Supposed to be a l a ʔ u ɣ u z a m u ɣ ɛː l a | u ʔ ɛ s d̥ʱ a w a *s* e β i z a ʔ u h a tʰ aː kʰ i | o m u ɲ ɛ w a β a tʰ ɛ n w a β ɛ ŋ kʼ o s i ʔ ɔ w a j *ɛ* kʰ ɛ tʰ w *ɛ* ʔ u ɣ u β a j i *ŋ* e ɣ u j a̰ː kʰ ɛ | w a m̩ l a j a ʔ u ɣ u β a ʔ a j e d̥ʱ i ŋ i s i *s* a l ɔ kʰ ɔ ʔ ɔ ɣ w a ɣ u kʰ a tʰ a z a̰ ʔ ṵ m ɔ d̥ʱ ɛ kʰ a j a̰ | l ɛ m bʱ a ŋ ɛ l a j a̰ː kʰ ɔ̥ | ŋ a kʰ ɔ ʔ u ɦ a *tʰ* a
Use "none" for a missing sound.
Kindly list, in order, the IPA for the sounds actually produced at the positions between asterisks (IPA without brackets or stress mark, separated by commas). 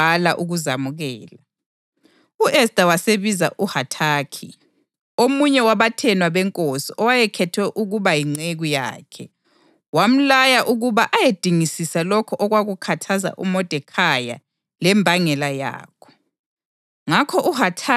s, ɛ, ɛ, ŋ͡ǀ, s, tʰ